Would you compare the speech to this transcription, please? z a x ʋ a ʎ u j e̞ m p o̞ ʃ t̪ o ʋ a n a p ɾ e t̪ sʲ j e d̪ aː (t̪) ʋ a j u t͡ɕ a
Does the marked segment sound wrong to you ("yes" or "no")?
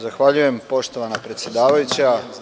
yes